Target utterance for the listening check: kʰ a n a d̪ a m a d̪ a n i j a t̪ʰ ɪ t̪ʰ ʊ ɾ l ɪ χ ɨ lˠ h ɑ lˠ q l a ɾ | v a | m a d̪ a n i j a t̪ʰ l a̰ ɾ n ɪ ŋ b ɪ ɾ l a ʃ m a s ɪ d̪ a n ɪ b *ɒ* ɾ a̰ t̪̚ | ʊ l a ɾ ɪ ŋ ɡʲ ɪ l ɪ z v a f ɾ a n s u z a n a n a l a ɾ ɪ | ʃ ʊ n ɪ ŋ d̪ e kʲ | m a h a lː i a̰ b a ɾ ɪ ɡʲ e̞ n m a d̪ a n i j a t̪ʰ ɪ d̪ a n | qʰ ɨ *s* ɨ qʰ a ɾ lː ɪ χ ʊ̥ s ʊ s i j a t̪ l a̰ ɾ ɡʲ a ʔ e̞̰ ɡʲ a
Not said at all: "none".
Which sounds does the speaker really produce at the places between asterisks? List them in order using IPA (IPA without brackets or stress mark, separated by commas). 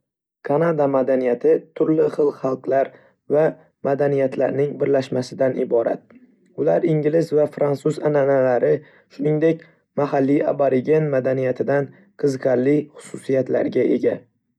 ɒ, z